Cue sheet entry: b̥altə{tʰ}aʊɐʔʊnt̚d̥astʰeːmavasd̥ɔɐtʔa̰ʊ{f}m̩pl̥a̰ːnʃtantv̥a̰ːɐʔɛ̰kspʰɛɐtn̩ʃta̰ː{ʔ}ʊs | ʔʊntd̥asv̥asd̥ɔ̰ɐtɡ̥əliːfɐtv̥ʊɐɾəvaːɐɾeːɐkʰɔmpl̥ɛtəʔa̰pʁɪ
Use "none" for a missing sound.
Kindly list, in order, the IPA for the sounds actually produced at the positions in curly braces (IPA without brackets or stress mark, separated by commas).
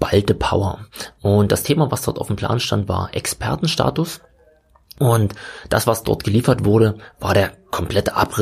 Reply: pʰ, f, t